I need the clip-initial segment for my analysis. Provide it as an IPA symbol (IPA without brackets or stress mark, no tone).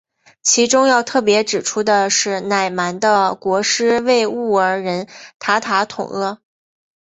t͡ɕʰ